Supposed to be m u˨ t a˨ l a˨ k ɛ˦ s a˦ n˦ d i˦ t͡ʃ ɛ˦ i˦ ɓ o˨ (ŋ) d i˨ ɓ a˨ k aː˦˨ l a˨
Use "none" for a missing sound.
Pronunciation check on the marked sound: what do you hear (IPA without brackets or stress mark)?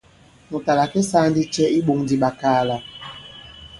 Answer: ŋ